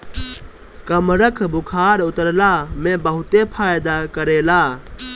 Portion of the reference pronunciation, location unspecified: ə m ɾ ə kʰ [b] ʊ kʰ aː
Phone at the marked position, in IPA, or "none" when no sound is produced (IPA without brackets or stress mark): b